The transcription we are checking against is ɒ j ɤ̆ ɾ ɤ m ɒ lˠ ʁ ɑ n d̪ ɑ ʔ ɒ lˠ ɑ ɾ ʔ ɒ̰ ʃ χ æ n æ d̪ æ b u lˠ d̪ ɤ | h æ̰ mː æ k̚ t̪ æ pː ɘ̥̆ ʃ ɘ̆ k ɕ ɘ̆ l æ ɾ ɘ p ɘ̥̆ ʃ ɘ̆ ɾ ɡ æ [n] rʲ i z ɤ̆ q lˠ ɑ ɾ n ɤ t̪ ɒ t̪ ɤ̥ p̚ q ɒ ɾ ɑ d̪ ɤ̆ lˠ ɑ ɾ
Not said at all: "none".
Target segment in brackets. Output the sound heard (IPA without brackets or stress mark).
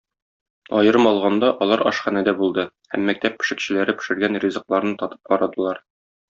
n